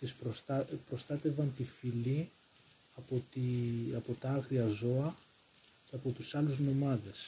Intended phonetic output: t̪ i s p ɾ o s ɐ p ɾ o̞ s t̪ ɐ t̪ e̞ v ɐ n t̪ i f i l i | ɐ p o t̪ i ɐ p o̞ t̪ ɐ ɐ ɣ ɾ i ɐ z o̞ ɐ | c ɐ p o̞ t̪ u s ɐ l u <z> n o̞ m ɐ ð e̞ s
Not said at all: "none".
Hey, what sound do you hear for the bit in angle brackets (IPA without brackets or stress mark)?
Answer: z